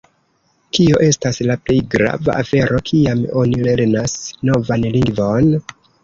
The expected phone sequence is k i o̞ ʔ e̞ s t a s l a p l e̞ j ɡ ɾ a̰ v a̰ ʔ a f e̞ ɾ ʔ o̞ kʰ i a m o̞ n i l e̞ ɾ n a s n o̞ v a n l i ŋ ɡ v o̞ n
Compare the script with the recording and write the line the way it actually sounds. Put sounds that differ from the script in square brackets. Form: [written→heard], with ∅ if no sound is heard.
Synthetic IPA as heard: k i o̞ ʔ e̞ s t a s l a p l e̞ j ɡ ɾ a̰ v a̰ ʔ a f e̞ ɾ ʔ o̞ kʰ i a m o̞ n i l e̞ ɾ n a s n o̞ v a n l i ŋ ɡ v o̞ n